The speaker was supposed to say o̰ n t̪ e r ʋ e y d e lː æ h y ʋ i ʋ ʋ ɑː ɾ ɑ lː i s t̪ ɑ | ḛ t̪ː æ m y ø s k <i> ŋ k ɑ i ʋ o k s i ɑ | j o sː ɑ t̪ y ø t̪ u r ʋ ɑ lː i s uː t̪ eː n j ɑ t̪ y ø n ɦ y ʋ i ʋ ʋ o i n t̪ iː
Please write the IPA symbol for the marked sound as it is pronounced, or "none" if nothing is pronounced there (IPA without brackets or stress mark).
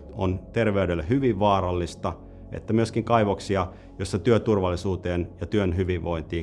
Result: i